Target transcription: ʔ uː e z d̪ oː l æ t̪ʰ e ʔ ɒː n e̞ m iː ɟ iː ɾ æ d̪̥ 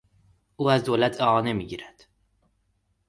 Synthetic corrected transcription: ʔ uː æ z d̪ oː l æ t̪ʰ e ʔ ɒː n e̞ m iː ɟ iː ɾ æ d̪̥

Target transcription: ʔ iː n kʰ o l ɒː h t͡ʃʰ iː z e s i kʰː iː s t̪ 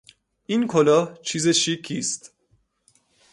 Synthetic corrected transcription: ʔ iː n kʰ o l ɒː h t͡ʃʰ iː z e ʃ i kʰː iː s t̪

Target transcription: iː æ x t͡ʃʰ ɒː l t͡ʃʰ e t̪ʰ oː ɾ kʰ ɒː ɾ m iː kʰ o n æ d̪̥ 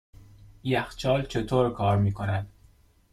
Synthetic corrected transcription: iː æ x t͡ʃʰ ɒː l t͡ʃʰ e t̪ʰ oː ɾ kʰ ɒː ɾ m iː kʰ o n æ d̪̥

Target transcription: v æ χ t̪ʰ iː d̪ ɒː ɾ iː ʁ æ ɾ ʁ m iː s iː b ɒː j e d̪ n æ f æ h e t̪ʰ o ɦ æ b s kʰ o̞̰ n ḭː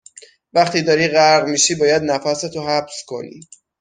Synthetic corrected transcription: v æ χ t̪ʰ iː d̪ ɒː ɾ iː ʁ æ ɾ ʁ m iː ʃ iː b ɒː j æ d̪ n æ f æ s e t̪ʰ o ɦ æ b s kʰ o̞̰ n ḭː

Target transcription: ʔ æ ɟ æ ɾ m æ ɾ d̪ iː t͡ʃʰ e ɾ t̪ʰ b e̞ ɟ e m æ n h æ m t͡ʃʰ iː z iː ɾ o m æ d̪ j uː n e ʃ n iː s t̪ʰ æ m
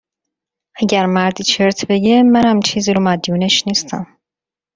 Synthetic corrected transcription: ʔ æ ɟ æ ɾ m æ ɾ d̪ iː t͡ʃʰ e ɾ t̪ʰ b e̞ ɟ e m æ n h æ m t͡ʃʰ iː z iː ɾ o m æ d̪ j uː n e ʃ n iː s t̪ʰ æ m

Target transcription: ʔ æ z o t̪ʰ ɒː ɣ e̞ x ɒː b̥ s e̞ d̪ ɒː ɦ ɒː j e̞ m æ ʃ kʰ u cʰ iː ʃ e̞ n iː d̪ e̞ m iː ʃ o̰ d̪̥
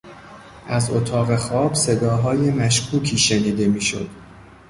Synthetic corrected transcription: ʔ æ z o t̪ʰ ɒː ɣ e̞ x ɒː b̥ s e̞ d̪ ɒː ɦ ɒː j e̞ m æ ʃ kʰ uː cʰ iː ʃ e̞ n iː d̪ e̞ m iː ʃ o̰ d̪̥

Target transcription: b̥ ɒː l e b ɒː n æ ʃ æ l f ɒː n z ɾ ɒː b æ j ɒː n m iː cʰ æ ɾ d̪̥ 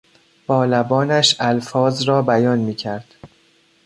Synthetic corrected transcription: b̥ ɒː l æ b ɒː n æ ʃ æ l f ɒː z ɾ ɒː b æ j ɒː n m iː cʰ æ ɾ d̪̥

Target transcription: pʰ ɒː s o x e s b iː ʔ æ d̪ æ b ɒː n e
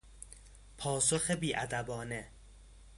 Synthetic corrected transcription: pʰ ɒː s o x e b iː ʔ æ d̪ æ b ɒː n e

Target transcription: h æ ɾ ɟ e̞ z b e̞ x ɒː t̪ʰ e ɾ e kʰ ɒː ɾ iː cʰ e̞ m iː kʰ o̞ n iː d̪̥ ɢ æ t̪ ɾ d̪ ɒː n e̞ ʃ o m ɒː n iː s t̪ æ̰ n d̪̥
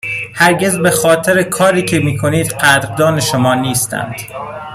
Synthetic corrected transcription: h æ ɾ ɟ e̞ z b e̞ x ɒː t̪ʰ e ɾ e kʰ ɒː ɾ iː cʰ e̞ m iː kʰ o̞ n iː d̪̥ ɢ æ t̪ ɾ d̪ ɒː n e̞ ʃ o m ɒː n iː s t̪ æ̰ n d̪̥

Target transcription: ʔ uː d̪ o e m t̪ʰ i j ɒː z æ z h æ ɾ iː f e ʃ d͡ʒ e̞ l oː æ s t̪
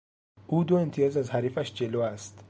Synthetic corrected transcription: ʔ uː d̪ o e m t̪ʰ i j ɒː z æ z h æ ɾ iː f æ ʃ d͡ʒ e̞ l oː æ s t̪

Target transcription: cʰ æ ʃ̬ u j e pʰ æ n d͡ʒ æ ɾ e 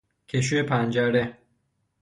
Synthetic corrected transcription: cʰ e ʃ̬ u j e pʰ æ n d͡ʒ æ ɾ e

